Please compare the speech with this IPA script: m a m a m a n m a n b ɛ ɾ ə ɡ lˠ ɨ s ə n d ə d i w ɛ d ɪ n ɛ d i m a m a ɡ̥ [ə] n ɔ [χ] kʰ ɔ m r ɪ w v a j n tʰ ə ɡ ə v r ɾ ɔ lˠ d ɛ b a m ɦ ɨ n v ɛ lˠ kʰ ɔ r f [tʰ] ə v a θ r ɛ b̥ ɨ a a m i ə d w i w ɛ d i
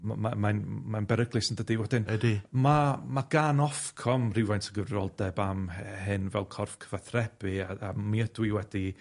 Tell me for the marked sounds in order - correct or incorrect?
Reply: incorrect, incorrect, incorrect

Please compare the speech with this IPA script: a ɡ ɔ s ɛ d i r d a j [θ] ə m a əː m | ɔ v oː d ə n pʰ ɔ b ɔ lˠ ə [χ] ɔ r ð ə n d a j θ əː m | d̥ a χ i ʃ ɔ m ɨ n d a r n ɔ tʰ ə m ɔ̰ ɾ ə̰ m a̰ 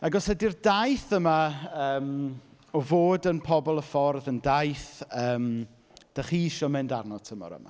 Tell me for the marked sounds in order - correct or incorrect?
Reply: correct, incorrect

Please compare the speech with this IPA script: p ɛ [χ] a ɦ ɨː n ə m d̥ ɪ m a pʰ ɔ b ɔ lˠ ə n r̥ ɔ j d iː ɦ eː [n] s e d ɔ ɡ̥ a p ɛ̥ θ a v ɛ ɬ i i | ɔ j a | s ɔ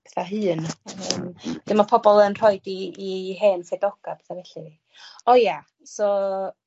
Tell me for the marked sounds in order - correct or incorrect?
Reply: incorrect, correct

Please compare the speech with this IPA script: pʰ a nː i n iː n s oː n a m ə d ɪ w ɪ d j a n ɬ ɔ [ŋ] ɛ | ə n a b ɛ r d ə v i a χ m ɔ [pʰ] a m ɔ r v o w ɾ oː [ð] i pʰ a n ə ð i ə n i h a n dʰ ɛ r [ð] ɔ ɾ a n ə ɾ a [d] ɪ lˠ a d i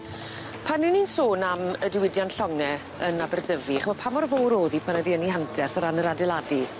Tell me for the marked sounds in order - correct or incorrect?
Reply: correct, correct, correct, incorrect, correct

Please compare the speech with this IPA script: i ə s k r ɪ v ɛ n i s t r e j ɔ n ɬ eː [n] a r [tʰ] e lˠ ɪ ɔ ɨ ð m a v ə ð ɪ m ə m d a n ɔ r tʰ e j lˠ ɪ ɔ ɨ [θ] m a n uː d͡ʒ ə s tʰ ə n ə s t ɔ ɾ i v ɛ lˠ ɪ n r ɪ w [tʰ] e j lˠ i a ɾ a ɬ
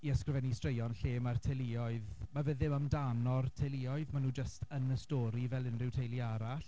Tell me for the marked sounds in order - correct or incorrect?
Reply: incorrect, correct, incorrect, correct

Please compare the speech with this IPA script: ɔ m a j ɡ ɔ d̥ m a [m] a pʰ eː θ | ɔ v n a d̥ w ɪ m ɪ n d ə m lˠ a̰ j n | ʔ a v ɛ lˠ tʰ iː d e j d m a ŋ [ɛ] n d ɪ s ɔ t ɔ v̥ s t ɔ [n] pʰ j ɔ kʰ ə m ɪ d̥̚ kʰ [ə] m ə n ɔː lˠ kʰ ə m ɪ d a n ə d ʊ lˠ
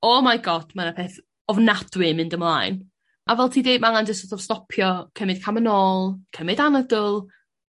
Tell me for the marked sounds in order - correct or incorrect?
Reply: incorrect, incorrect, incorrect, incorrect

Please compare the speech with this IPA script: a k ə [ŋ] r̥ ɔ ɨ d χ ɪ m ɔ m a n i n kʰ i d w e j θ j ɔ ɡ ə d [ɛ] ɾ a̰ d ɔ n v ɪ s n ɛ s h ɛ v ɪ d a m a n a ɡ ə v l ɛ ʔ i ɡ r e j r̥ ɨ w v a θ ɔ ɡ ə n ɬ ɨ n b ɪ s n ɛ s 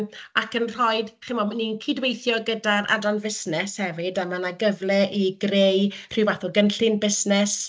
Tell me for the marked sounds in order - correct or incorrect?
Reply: incorrect, incorrect

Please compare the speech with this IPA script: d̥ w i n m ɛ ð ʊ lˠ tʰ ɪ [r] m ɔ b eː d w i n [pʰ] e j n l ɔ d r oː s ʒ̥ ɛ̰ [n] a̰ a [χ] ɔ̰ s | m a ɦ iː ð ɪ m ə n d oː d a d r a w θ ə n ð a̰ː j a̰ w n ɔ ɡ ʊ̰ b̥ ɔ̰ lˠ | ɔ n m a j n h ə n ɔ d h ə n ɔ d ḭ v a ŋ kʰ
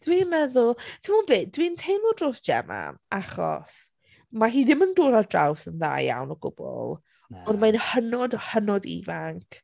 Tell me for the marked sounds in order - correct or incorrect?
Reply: incorrect, incorrect, incorrect, correct

